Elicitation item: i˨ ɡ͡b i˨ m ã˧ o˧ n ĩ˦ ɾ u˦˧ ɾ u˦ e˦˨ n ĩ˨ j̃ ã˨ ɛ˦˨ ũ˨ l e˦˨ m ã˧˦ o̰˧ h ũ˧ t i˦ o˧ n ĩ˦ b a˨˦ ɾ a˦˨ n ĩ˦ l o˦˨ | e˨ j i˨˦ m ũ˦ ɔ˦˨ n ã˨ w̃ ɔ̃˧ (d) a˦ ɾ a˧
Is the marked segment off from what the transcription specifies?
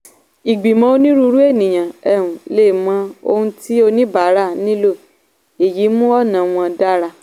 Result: no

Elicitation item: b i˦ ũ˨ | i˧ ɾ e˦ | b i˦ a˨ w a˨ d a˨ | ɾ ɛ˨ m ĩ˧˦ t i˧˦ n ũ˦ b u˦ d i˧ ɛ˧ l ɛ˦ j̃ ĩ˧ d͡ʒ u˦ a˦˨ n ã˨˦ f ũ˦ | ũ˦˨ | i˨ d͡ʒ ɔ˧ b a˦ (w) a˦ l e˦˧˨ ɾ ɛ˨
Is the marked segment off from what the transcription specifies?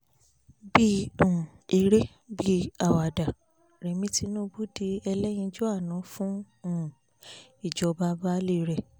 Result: yes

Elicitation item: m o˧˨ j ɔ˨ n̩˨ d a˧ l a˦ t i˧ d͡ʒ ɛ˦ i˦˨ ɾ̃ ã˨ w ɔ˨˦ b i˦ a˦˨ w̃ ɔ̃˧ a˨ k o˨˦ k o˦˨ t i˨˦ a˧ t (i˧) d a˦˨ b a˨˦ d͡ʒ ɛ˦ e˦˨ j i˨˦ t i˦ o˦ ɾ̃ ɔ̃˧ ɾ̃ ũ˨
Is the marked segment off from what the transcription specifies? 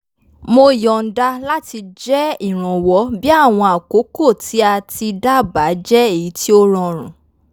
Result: no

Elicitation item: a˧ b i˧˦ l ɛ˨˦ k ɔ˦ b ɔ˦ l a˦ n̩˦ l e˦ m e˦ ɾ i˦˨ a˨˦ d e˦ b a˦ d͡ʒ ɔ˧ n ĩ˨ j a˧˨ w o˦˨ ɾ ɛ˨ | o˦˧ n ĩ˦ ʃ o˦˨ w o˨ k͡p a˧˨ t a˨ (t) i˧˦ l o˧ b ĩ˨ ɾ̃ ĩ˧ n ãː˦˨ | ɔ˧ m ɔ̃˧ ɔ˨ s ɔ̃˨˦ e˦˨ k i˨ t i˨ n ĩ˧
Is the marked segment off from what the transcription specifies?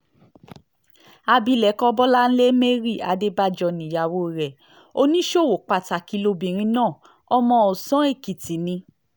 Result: yes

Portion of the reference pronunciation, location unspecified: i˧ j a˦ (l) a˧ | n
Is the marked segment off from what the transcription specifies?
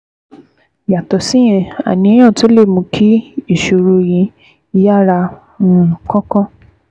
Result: yes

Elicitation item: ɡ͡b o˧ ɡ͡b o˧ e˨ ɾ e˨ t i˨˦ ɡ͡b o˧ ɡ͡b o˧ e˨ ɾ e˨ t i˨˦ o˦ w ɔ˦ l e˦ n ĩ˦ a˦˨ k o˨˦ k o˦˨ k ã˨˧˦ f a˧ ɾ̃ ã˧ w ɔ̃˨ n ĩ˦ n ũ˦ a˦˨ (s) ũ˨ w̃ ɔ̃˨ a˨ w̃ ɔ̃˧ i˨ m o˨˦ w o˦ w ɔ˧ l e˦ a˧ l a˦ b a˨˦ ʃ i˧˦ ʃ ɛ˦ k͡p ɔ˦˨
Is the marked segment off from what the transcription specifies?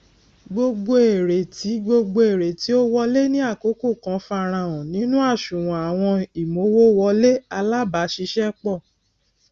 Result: yes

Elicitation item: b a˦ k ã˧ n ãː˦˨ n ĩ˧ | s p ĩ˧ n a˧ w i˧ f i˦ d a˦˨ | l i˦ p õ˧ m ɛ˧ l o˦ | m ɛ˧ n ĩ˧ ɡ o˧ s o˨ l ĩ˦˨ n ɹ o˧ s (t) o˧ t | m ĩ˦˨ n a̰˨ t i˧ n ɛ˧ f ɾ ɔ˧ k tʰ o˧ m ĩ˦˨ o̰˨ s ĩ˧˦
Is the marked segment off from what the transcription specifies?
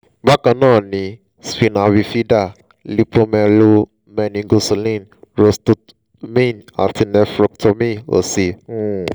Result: no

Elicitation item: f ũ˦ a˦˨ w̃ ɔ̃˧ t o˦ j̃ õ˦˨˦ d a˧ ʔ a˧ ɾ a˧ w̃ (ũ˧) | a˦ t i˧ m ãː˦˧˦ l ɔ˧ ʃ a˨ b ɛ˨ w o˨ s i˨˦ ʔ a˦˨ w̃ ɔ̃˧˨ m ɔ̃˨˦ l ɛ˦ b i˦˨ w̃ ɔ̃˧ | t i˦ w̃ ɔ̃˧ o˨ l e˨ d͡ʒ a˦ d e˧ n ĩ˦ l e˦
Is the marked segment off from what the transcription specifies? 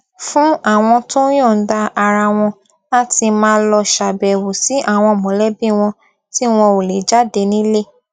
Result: yes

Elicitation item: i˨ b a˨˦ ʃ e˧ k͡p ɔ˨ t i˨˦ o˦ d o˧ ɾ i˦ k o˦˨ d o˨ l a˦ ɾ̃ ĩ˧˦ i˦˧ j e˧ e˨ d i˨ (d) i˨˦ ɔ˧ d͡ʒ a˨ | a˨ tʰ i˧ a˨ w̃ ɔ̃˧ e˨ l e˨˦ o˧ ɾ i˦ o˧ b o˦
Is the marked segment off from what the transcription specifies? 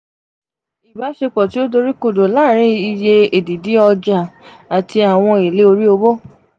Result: no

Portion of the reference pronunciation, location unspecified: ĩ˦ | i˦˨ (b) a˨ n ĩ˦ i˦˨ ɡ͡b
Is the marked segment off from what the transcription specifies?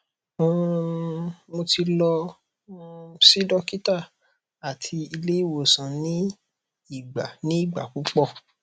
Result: yes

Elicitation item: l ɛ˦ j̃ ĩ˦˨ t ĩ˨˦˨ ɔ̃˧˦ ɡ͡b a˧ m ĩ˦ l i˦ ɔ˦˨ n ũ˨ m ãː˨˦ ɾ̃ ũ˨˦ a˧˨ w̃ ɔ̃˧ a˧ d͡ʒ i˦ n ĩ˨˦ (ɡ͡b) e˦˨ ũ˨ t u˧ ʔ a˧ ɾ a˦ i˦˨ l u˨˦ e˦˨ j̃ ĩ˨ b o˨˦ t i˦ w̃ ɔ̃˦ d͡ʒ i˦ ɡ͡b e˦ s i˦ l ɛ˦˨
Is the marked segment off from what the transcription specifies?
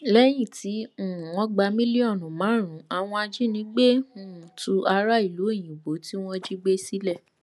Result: no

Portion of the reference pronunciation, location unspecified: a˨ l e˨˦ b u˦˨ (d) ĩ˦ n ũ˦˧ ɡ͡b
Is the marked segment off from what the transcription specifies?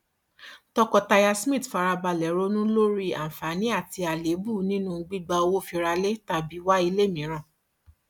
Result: yes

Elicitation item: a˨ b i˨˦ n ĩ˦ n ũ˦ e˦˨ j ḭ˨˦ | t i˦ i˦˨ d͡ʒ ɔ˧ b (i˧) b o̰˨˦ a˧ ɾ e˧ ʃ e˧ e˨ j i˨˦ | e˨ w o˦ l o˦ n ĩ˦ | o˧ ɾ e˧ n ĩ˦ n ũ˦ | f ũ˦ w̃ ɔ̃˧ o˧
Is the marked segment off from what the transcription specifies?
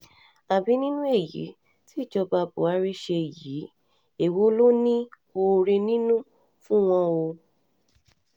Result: yes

